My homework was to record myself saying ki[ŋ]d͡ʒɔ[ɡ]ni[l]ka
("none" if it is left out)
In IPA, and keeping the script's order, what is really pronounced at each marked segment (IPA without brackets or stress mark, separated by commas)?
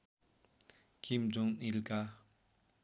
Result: m, ŋ, l